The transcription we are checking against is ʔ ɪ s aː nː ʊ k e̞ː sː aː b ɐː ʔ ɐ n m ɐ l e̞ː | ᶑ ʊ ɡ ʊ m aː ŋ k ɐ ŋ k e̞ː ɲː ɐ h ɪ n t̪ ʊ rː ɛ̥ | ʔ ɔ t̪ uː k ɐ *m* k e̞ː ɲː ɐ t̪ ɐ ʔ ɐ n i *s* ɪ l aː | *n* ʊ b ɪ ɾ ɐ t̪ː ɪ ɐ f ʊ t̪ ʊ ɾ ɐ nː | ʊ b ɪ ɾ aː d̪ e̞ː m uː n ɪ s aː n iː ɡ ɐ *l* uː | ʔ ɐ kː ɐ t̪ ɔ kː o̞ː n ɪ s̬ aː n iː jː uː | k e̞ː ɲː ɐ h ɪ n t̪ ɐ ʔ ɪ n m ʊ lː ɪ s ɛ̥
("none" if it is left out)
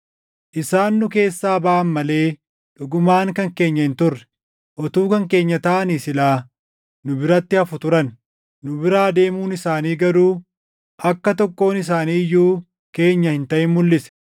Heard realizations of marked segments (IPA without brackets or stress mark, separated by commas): ŋ, s, n, ɾ